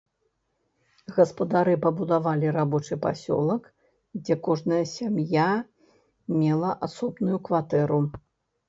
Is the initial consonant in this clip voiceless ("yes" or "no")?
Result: no